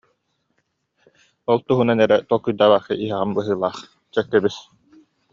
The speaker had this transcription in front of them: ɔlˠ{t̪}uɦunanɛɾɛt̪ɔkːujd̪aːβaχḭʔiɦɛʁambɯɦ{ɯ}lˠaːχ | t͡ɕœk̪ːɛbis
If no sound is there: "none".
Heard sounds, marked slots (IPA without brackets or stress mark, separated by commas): t̪, ɯː